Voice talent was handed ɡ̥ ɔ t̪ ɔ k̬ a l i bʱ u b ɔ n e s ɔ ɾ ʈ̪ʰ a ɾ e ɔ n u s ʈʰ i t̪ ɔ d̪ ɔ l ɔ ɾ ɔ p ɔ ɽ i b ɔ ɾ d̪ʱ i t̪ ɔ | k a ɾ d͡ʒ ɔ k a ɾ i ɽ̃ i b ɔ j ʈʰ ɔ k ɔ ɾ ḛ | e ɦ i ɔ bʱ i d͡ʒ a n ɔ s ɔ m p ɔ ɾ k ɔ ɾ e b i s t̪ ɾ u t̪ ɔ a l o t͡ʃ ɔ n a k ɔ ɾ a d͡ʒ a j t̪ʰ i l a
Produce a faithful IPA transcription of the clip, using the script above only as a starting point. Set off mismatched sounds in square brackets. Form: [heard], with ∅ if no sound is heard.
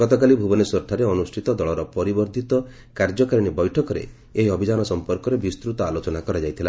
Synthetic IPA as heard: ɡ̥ ɔ t̪ ɔ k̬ a l i bʱ u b ɔ n e s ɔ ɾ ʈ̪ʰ a ɾ e ɔ n u s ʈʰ i t̪ ɔ d̪ ɔ [ɭ] ɔ ɾ ɔ p ɔ [ɾ] i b ɔ ɾ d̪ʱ i t̪ ɔ | k a ɾ d͡ʒ ɔ k a ɾ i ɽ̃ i b ɔ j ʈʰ ɔ k ɔ ɾ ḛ | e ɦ i ɔ bʱ i d͡ʒ a n ɔ s ɔ m p ɔ ɾ k ɔ ɾ e b i s t̪ ɾ u t̪ ɔ a l o t͡ʃ ɔ n a k ɔ ɾ a d͡ʒ a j t̪ʰ i l a